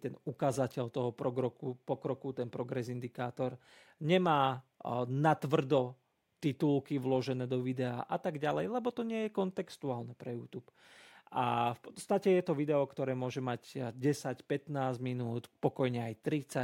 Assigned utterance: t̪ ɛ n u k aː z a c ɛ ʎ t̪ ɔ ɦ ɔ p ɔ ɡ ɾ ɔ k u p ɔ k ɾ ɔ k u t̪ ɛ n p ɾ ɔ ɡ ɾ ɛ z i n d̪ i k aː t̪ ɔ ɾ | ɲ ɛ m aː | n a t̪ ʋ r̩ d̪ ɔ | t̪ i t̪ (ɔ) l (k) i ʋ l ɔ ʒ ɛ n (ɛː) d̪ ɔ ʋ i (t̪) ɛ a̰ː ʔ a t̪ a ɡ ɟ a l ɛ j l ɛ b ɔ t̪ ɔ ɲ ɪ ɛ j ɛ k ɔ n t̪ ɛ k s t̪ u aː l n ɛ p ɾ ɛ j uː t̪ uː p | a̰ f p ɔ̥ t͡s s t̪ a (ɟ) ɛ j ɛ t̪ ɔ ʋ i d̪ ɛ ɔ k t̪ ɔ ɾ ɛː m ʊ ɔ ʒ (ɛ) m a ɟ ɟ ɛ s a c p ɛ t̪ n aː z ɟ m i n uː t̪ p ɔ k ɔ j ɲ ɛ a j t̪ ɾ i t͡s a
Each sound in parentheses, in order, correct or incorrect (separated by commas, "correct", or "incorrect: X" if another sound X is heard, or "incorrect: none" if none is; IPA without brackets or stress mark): incorrect: u, correct, correct, incorrect: d̪, incorrect: c, correct